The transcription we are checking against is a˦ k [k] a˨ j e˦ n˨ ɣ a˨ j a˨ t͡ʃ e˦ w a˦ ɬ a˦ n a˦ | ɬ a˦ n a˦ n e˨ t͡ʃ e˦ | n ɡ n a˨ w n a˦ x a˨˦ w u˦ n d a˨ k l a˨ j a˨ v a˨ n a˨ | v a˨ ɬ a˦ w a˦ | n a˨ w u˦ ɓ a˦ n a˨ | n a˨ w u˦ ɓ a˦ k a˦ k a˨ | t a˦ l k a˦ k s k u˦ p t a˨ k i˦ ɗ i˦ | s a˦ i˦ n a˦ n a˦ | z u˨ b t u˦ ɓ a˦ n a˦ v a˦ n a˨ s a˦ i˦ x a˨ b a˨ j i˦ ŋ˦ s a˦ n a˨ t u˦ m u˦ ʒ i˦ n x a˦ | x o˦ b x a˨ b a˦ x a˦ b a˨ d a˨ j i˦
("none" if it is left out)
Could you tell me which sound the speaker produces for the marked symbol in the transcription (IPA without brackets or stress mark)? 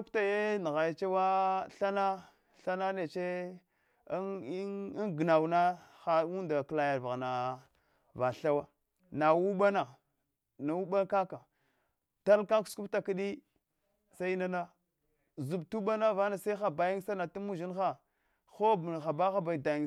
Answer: t